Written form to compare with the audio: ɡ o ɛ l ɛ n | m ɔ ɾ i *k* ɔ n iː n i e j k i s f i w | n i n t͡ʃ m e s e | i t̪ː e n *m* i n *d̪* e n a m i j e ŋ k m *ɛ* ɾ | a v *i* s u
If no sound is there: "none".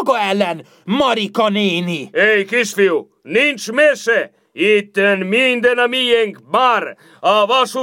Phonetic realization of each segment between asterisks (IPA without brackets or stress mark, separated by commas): k, m, d̪, a, a